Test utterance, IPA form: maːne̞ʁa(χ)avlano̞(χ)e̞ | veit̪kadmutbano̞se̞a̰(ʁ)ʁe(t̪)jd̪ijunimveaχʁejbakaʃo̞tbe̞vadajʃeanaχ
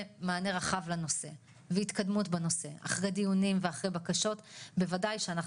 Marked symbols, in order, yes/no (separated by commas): yes, no, no, no